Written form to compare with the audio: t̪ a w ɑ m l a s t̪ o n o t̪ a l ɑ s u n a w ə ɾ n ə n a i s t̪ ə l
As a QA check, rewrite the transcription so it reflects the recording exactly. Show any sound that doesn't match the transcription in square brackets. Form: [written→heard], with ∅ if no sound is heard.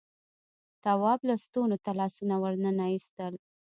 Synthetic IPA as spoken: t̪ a w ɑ [m→b] l a s t̪ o n o t̪ a l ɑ s u n a w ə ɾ n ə n a i s t̪ ə l